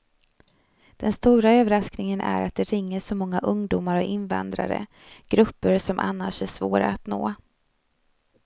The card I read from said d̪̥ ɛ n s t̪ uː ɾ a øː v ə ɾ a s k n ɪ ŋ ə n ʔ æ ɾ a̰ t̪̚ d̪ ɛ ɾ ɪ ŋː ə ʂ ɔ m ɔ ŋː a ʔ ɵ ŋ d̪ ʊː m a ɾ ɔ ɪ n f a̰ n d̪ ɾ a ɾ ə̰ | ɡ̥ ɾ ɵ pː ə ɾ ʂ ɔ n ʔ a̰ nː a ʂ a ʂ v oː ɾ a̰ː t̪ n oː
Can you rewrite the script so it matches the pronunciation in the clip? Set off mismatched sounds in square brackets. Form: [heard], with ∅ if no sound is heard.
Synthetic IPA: d̪̥ ɛ n s t̪ uː ɾ a øː v ə ɾ a s k n ɪ ŋ ə n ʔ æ ɾ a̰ t̪̚ d̪ ɛ ɾ ɪ ŋː ə ʂ ɔ m ɔ ŋː a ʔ ɵ ŋ d̪ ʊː m a ɾ ɔ ɪ n [v] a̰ n d̪ ɾ a ɾ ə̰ | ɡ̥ ɾ ɵ pː ə ɾ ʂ ɔ [m] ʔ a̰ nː a ʂ [æ] ʂ v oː ɾ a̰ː t̪ n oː